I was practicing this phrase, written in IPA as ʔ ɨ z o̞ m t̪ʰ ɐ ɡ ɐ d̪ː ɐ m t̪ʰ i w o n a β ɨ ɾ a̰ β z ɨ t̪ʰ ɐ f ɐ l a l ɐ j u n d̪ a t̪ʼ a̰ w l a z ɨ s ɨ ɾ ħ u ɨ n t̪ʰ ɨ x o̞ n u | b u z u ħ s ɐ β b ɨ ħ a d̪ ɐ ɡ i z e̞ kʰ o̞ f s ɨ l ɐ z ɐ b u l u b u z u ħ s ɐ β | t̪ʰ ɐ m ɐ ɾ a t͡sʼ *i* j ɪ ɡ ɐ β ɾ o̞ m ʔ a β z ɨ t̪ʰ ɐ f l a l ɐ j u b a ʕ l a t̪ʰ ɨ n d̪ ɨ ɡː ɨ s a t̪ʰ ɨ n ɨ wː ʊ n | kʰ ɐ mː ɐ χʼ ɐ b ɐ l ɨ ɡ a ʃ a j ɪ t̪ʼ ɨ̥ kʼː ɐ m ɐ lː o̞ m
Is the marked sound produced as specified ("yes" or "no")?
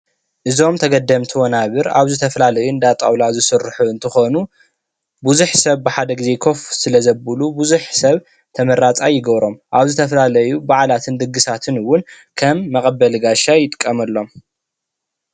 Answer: no